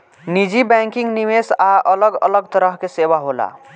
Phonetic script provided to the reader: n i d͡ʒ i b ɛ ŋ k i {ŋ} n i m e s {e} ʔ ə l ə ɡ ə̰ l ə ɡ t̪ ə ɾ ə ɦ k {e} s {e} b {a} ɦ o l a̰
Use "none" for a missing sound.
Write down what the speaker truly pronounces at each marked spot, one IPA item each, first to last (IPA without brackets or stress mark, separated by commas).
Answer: ŋ, a, e, e, a